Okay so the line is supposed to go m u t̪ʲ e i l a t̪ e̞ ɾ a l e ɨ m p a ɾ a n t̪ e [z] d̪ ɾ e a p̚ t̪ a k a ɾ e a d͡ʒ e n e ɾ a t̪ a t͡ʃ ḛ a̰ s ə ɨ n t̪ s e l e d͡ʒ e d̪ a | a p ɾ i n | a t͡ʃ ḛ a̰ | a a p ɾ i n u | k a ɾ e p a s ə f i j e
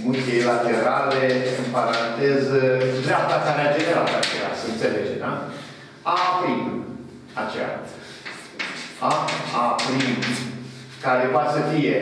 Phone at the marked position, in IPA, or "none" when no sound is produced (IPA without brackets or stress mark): z